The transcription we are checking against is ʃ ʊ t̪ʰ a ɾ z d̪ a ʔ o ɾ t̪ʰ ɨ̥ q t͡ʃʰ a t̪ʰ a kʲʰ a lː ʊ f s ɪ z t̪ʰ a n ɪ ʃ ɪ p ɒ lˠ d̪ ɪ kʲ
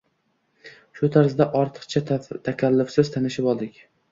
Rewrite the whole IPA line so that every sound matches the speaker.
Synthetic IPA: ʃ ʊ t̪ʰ a ɾ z d̪ a ʔ ɒ ɾ t̪ʰ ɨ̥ q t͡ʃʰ a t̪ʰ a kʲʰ a lː ʊ f s ɪ z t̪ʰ a n ɪ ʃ ɪ p ɒ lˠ d̪ ɪ kʲ